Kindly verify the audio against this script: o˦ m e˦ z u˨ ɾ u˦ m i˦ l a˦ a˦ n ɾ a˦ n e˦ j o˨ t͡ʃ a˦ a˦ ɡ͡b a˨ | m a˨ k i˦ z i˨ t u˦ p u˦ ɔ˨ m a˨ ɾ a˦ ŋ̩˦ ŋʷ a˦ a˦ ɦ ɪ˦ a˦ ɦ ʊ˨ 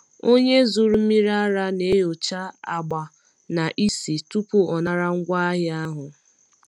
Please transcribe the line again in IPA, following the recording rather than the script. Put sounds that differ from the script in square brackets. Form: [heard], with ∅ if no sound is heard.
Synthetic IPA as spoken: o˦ [ɲ] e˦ z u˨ ɾ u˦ m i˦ [ɾ] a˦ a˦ [∅] ɾ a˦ n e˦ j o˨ t͡ʃ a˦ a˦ ɡ͡b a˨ | [n] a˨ [ʔ] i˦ [s] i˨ t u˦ p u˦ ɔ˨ [n] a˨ ɾ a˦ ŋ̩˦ [ɡʷ] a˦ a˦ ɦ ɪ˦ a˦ ɦ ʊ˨